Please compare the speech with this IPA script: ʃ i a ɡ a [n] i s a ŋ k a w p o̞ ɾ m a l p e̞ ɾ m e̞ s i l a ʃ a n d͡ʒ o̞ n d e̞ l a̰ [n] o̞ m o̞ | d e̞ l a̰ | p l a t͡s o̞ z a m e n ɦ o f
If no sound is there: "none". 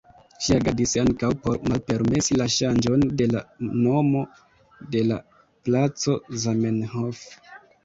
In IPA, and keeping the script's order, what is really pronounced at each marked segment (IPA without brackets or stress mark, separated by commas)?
d, n